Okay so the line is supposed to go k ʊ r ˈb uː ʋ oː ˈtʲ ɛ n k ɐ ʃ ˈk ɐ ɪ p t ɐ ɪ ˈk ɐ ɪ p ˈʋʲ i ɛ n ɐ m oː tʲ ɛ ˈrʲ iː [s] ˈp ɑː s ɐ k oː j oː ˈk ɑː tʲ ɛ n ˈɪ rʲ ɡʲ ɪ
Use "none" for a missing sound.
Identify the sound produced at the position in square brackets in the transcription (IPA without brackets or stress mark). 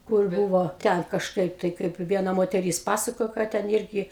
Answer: s